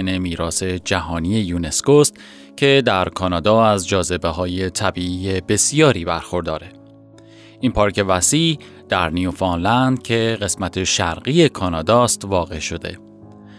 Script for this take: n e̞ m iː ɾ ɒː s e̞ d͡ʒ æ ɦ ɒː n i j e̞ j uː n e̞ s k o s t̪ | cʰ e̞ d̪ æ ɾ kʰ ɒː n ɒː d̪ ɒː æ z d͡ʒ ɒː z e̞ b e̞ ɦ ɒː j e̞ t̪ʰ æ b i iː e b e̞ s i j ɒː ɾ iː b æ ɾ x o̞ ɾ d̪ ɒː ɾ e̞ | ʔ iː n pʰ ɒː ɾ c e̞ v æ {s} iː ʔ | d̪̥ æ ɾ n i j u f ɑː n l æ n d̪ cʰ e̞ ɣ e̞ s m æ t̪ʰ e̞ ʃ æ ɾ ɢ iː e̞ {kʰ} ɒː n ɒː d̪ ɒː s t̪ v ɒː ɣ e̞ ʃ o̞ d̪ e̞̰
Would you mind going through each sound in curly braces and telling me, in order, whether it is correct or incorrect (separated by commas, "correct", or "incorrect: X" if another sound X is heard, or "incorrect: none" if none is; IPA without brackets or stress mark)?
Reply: correct, correct